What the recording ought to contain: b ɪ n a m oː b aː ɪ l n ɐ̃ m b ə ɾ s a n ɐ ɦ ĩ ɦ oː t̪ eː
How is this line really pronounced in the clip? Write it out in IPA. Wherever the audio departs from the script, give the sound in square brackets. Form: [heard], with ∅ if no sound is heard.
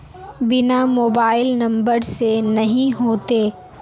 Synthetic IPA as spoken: b ɪ n a m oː b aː ɪ l n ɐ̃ m b ə ɾ s [e] n ɐ ɦ ĩ ɦ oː t̪ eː